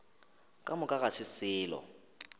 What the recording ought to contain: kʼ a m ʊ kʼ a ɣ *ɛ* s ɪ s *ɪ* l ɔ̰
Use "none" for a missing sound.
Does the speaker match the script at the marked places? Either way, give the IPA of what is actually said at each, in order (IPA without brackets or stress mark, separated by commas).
a, ɪː